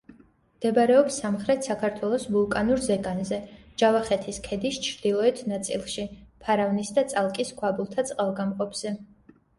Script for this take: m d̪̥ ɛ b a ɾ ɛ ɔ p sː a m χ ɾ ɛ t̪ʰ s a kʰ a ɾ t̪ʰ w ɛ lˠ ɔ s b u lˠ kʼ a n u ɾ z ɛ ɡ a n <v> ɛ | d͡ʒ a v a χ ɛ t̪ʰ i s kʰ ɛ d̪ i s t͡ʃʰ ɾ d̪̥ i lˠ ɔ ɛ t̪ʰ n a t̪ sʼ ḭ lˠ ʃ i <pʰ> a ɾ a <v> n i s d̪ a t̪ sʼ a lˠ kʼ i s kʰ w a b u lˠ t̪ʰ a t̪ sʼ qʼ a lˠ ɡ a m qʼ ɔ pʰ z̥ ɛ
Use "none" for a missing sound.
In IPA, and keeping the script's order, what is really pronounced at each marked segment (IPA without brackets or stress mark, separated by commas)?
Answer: z, pʰ, v